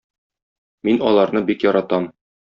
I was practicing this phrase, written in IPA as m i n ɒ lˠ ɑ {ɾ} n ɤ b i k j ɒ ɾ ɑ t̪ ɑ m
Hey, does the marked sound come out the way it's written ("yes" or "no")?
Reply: yes